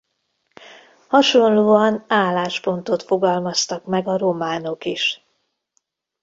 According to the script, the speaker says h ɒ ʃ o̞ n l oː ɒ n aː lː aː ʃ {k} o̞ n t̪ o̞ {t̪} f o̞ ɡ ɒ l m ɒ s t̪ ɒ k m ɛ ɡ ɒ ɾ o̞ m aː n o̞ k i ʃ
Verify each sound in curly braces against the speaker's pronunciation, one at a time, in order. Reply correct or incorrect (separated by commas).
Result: incorrect, correct